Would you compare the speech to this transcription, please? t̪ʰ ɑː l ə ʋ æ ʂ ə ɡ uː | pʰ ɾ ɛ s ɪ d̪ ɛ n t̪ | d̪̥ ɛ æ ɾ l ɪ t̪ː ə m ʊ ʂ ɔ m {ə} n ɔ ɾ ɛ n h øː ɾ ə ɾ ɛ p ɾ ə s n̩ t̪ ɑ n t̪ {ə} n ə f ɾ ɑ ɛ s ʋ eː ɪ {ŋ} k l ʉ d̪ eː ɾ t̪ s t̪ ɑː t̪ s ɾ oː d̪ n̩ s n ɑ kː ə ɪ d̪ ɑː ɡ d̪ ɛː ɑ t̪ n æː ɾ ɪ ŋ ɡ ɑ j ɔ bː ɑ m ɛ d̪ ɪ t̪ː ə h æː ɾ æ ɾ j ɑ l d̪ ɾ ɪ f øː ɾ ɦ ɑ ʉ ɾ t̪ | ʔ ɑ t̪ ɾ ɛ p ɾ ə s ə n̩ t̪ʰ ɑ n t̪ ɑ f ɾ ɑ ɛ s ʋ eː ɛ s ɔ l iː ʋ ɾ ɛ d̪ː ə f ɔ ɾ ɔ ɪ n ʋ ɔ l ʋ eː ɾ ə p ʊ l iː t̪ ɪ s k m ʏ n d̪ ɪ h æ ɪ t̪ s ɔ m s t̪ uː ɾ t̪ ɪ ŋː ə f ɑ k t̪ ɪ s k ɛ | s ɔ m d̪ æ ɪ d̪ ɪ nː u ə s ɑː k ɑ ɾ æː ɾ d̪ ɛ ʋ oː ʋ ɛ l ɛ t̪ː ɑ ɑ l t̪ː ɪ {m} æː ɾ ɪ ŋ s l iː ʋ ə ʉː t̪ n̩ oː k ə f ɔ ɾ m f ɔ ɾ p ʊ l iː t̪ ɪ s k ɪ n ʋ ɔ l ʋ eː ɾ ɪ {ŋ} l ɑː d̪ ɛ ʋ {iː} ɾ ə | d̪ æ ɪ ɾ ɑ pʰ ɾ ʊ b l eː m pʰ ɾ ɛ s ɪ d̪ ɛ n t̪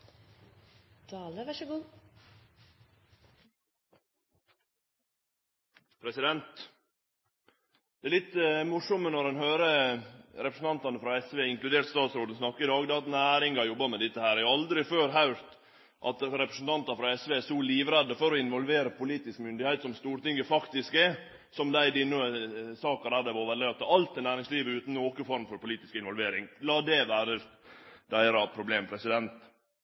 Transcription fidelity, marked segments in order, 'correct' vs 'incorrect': correct, incorrect: ɑ, correct, incorrect: n, correct, incorrect: æː

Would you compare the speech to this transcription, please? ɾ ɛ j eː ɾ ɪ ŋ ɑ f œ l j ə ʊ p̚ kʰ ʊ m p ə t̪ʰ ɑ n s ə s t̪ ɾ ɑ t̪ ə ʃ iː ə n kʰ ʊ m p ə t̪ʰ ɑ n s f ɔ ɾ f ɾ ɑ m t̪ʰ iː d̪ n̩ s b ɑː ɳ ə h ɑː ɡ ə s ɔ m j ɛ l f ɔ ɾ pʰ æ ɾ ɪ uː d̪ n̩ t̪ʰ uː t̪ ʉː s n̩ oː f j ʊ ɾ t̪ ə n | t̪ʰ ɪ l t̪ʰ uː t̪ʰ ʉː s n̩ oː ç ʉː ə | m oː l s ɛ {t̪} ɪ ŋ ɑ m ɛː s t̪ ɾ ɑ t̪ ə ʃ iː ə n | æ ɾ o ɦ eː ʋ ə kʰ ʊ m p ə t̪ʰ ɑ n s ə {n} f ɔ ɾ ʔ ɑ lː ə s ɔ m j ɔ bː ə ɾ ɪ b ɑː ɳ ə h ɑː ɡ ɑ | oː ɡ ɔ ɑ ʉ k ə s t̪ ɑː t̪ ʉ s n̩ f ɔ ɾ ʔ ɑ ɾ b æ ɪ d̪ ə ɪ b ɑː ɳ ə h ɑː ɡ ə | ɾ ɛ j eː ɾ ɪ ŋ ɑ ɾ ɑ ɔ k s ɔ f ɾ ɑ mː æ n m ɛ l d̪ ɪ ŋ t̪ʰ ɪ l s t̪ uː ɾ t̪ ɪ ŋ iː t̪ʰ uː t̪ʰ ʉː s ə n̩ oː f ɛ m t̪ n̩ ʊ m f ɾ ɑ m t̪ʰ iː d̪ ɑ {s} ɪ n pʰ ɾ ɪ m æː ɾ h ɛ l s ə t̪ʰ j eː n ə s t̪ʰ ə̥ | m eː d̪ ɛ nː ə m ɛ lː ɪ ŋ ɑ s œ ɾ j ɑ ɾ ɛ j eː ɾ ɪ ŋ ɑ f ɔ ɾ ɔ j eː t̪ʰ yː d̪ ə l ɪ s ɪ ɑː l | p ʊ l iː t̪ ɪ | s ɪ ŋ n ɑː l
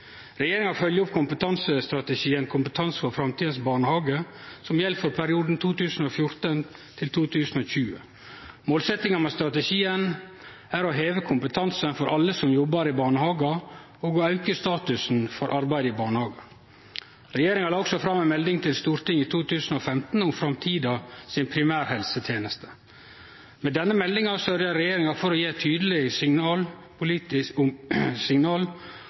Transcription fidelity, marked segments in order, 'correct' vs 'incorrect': correct, correct, correct

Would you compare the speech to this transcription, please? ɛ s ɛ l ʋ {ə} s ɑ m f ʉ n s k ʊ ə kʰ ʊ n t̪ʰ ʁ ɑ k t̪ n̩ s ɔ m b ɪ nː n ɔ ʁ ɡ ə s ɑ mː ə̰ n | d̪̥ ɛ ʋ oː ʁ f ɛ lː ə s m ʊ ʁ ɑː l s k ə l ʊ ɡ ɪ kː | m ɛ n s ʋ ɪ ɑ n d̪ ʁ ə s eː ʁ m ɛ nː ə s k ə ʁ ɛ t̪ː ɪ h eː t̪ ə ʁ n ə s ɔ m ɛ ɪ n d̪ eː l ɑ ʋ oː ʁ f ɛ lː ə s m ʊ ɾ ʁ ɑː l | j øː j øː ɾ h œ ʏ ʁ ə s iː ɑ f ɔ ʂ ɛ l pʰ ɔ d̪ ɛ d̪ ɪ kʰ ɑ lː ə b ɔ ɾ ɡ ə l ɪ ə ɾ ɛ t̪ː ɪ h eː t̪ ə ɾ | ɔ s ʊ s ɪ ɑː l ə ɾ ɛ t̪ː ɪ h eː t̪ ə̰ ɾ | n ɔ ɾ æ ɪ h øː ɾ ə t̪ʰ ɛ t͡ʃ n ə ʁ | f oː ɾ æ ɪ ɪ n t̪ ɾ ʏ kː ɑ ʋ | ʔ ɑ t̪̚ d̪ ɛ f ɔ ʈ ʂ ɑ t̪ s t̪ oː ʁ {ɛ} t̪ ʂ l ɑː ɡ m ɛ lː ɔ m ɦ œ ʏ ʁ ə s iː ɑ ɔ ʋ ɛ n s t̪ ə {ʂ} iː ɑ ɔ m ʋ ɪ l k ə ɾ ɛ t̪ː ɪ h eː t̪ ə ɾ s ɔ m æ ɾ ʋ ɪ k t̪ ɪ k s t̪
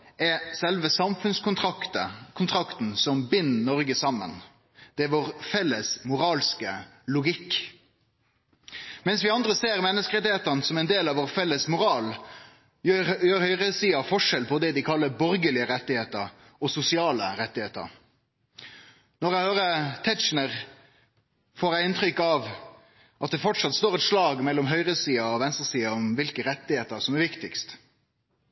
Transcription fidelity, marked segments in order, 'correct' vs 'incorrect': correct, correct, incorrect: s

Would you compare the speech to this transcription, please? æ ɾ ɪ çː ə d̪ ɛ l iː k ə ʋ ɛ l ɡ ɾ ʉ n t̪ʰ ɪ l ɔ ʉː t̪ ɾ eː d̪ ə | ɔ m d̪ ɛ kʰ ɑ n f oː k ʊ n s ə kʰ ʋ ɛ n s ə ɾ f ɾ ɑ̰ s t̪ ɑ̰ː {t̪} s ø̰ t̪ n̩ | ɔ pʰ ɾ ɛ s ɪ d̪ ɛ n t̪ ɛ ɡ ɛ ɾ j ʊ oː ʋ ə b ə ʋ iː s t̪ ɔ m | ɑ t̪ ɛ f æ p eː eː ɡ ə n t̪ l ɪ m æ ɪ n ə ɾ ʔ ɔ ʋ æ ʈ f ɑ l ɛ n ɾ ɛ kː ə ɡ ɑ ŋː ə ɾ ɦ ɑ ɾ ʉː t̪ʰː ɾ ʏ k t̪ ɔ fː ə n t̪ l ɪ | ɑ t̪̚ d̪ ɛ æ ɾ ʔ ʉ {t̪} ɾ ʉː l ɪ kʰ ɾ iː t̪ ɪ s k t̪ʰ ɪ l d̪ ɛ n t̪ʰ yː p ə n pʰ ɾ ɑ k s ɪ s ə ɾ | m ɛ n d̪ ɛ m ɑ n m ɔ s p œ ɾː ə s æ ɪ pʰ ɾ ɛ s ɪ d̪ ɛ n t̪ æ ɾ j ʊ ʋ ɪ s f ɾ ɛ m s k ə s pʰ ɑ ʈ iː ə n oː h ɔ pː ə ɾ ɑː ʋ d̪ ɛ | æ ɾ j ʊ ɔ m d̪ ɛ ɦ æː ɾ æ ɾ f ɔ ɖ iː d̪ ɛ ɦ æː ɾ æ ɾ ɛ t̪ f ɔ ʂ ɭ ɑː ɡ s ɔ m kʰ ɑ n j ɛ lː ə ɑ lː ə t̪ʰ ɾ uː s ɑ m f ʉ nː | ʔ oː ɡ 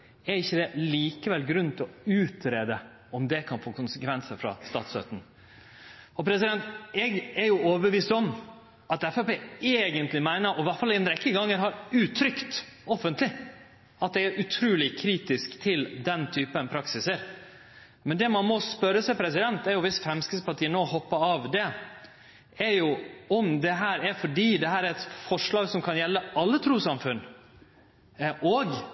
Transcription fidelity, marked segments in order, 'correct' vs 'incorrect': correct, incorrect: t̪ʰ

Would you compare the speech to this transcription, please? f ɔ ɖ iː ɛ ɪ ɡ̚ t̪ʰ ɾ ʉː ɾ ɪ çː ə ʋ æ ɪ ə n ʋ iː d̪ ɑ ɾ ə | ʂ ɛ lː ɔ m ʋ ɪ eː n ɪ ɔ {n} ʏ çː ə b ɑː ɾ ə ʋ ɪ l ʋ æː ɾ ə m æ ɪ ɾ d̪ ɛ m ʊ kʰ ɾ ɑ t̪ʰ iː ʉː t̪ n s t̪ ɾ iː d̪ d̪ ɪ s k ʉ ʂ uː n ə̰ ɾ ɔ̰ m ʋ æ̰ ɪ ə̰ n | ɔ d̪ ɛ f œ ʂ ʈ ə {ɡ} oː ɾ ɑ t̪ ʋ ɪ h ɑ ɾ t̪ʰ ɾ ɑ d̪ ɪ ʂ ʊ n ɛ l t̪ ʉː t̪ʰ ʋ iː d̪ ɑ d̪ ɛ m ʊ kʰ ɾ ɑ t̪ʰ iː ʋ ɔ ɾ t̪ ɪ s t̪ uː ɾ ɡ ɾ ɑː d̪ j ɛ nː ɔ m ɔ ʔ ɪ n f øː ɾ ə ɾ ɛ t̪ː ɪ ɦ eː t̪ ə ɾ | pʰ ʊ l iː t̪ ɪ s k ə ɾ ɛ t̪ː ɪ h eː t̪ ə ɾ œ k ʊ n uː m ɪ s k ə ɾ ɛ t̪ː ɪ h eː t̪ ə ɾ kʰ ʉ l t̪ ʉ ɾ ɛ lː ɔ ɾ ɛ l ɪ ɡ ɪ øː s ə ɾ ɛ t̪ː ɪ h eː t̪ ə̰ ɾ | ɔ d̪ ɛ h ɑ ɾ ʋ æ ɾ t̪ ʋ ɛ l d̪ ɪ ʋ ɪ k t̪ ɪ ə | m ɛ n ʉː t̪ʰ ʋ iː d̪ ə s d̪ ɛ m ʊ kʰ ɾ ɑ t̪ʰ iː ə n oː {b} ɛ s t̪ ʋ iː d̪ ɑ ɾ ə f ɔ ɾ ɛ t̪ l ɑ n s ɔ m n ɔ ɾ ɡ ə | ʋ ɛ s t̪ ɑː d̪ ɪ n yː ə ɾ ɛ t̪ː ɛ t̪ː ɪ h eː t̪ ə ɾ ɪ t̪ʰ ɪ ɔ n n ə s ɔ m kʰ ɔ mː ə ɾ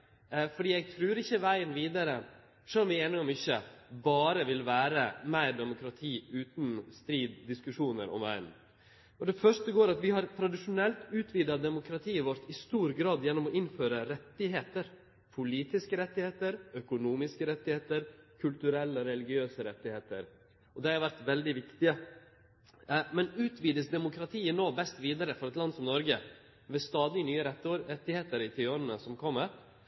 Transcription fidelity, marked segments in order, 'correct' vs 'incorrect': incorrect: m, correct, correct

